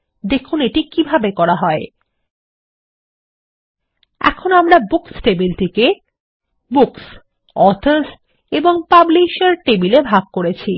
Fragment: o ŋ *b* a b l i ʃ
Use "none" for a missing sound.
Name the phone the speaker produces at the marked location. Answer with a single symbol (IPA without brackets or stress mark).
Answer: p